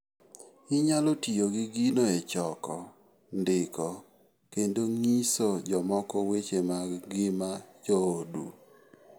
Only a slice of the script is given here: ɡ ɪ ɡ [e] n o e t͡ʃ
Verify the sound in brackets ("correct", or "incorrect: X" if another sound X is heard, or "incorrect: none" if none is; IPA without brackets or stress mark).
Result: incorrect: i